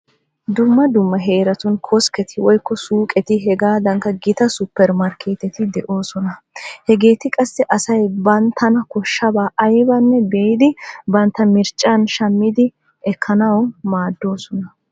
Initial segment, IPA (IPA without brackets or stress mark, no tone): d̪